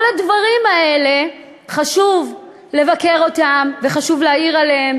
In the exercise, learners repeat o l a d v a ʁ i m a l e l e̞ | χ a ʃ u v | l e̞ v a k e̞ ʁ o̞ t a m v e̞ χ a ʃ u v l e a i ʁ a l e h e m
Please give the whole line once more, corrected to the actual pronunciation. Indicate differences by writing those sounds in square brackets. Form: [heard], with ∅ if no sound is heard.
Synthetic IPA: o l a d v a ʁ i m a [∅] e l e̞ | χ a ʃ u v | l e̞ v a k e̞ ʁ o̞ t a m v e̞ χ a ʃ u v l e a i ʁ a l e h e m